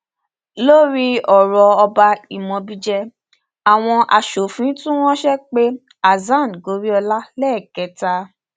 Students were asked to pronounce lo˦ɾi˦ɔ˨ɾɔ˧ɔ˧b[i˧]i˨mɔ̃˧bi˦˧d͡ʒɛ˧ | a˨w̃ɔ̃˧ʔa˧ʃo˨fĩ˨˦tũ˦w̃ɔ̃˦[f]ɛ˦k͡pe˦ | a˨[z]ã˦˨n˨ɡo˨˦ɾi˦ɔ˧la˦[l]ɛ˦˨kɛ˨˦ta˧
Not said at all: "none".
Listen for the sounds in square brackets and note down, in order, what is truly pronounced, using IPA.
a˧, ʃ, z, l

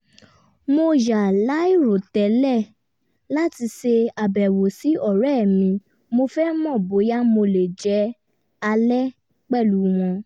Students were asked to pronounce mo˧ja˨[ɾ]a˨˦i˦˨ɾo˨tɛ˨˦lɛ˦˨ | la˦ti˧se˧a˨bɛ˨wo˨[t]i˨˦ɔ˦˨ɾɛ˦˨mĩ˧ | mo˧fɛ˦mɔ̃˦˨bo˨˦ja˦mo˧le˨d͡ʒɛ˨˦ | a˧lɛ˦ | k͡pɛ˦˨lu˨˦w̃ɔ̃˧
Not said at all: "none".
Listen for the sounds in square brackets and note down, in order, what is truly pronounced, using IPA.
l, s

